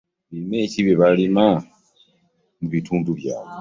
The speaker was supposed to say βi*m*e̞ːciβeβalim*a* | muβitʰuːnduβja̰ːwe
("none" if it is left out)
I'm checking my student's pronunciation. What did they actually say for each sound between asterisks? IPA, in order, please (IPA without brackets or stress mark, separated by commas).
m, a